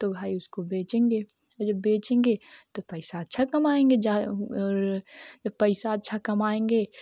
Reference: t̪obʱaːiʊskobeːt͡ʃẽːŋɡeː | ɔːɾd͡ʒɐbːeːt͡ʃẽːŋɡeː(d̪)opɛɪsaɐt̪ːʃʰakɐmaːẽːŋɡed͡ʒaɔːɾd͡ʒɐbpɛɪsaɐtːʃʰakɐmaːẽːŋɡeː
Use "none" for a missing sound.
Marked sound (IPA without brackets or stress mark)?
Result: t̪